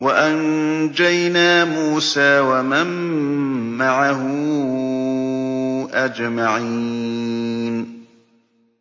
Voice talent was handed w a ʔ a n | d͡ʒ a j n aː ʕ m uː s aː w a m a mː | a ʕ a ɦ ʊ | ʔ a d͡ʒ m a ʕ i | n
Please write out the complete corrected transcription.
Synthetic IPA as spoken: w a ʔ a n | d͡ʒ a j n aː m uː s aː w a m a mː | a ʕ a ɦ ʊ | ʔ a d͡ʒ m a ʕ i | n